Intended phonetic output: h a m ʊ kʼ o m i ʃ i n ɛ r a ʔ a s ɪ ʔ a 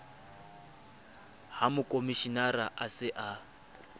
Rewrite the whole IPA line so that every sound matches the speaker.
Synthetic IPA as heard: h a m ʊ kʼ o m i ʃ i n a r a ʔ a s ɪ ʔ a

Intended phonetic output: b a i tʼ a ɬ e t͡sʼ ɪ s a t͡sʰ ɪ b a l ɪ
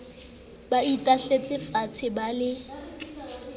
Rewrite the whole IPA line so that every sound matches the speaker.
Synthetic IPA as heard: b a i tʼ a ɬ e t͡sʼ ɪ f a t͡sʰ ɪ b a l ɪ

